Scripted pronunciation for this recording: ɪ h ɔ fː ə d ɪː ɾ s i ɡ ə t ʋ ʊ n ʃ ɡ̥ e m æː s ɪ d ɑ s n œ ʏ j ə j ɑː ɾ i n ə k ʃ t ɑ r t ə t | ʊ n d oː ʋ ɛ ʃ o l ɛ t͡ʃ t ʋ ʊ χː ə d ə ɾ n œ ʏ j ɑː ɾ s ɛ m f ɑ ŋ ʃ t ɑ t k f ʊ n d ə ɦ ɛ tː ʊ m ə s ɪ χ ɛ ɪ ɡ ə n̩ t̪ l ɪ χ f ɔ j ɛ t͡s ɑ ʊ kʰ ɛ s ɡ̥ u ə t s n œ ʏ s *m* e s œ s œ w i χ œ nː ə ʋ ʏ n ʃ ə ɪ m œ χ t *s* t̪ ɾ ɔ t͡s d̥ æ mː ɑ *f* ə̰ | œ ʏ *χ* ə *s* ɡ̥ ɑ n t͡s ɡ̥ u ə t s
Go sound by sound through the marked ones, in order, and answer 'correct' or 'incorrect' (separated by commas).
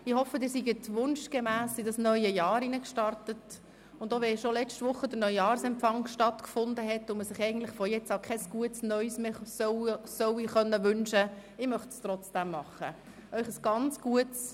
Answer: correct, correct, incorrect, correct, correct